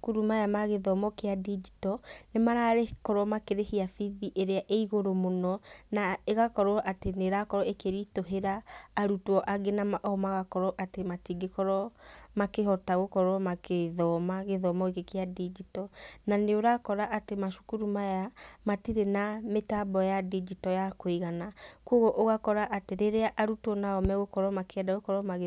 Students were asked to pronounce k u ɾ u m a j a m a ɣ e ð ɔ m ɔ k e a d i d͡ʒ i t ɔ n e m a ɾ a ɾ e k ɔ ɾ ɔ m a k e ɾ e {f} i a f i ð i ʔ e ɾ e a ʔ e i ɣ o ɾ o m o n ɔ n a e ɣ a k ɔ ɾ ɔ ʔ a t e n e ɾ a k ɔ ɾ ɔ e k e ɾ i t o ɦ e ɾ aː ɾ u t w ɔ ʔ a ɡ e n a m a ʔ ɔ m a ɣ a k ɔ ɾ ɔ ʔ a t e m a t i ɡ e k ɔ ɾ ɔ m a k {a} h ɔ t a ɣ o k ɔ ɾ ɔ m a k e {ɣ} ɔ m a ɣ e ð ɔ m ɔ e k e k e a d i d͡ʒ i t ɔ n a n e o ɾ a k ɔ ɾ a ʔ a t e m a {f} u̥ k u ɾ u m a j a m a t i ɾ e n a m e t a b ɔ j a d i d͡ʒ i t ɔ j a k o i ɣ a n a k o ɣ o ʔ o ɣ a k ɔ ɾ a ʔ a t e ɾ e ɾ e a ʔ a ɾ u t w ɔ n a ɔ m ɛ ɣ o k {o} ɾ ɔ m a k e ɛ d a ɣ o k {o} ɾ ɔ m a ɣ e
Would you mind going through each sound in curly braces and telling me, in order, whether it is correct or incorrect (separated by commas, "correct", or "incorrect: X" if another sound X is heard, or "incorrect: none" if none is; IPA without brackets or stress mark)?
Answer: incorrect: h, incorrect: e, incorrect: ð, incorrect: ʃ, incorrect: ɔ, incorrect: ɔ